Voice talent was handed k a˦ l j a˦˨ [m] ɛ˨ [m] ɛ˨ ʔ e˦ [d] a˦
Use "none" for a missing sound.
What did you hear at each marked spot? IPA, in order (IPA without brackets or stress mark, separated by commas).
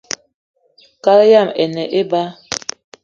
m, n, b